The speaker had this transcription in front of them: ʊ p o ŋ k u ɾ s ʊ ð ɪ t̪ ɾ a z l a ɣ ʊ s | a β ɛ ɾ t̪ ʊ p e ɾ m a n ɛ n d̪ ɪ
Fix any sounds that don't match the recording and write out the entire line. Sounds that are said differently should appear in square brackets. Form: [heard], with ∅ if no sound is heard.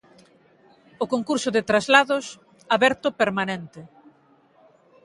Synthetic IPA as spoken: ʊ [k] o ŋ k u ɾ s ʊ ð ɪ t̪ ɾ a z l a [ð] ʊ s | a β ɛ ɾ t̪ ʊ p e ɾ m a n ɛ n [t̪] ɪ